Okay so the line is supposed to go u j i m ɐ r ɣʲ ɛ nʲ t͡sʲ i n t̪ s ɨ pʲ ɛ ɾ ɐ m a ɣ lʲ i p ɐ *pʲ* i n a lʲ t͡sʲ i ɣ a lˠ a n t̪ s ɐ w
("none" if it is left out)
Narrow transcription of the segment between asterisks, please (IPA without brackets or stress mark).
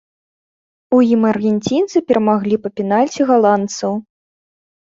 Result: pʲ